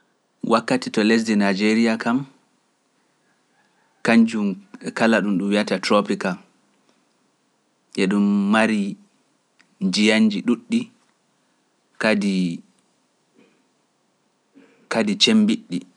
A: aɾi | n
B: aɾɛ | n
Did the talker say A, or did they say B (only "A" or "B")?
A